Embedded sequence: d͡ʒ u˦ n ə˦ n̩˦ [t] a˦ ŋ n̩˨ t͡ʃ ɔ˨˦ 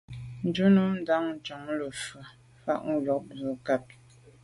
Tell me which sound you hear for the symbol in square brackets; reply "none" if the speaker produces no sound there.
d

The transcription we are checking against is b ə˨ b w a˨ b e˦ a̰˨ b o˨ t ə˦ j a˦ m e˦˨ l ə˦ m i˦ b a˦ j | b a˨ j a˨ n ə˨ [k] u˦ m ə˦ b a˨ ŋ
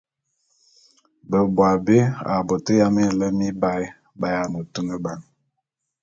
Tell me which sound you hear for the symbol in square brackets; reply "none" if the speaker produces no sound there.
t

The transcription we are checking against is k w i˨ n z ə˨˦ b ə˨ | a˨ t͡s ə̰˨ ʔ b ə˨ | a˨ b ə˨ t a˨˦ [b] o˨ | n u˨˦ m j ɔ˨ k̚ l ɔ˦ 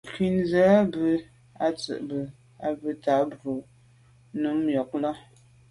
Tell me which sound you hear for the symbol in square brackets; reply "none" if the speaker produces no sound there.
b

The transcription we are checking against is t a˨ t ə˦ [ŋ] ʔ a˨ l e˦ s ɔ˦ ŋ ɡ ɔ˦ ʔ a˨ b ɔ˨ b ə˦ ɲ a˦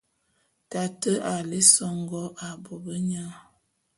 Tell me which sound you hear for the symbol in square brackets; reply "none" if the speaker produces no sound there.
none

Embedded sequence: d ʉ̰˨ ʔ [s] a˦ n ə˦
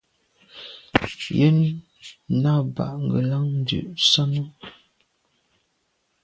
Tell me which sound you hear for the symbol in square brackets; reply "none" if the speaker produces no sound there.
s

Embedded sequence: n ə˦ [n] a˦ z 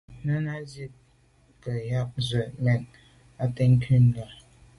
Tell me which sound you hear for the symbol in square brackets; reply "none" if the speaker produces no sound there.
n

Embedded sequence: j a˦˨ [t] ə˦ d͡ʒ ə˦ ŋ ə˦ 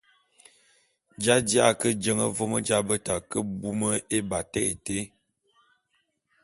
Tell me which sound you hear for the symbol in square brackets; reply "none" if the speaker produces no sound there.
k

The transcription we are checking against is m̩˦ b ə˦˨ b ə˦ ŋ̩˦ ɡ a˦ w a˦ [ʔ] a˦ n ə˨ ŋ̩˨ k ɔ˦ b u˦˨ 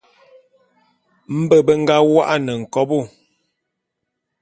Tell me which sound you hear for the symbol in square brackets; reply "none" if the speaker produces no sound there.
ʔ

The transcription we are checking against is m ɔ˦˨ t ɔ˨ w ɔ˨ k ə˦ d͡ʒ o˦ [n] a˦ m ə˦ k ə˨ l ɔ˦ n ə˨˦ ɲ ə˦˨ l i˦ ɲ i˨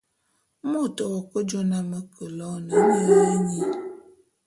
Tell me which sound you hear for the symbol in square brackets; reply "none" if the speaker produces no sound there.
n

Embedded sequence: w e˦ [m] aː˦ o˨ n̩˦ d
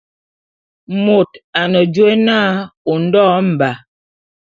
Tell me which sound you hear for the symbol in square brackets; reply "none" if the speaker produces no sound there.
n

